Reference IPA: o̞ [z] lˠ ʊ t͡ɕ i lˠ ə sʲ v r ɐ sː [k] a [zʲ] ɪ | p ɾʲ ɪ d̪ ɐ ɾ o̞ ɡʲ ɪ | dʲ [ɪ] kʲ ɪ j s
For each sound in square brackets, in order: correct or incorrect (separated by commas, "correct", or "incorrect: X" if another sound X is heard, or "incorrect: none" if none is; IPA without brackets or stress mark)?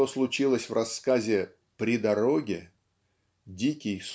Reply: incorrect: s, correct, correct, incorrect: i